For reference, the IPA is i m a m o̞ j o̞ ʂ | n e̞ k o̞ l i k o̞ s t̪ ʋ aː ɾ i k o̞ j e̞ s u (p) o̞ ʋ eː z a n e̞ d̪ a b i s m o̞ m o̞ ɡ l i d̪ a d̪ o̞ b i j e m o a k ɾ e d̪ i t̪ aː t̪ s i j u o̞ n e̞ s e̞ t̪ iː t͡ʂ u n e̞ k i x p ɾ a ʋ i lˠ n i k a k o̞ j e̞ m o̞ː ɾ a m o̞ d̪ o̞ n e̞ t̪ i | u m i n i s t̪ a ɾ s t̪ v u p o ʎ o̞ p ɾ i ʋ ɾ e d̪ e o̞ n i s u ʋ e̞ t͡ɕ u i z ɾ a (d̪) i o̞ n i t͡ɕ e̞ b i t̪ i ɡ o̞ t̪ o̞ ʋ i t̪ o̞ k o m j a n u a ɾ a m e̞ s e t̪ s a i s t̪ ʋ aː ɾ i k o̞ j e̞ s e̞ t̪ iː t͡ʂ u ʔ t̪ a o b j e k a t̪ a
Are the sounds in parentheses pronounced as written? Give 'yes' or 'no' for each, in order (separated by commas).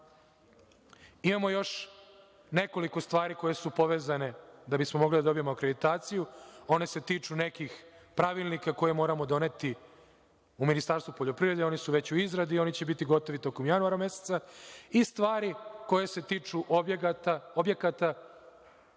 yes, yes